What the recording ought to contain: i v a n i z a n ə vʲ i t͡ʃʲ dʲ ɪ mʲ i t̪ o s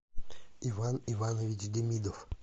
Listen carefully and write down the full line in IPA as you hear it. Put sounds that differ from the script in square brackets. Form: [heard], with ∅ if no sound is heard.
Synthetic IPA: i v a n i [v] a n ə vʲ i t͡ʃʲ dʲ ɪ mʲ i [d̪] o [f]